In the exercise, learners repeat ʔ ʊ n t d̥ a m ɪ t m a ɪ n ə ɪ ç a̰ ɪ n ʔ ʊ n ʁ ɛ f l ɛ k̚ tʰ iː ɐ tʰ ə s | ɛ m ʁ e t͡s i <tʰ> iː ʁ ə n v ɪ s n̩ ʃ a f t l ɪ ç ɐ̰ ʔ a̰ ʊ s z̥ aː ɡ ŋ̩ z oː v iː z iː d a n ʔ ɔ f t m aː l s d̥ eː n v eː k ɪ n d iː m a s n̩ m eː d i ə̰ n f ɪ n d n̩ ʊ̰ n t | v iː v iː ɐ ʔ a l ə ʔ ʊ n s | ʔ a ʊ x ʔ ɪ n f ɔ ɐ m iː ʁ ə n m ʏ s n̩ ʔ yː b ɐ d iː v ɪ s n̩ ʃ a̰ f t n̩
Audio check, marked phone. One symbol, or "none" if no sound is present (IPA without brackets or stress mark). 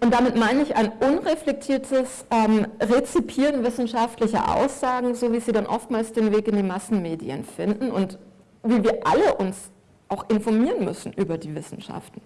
pʰ